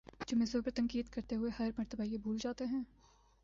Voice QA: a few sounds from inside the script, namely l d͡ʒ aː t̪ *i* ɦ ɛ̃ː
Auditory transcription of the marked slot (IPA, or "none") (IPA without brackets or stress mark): e